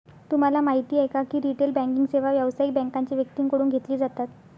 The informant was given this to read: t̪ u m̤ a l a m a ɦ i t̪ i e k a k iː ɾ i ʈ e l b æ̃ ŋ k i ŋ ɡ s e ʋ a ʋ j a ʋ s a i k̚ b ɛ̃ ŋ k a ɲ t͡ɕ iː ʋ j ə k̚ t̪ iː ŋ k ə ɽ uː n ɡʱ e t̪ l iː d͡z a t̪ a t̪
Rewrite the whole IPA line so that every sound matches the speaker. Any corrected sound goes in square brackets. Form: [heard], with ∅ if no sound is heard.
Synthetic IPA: t̪ u m̤ a l a m a ɦ i t̪ [iː] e k a k iː ɾ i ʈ e l b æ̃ ŋ k i ŋ ɡ s e ʋ a ʋ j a ʋ s a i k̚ b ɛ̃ ŋ k a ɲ t͡ɕ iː ʋ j ə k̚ t̪ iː ŋ k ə ɽ uː n ɡʱ e t̪ l iː d͡z a t̪ a t̪